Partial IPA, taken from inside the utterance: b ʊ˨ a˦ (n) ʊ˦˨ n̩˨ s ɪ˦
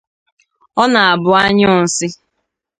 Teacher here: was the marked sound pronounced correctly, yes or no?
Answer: no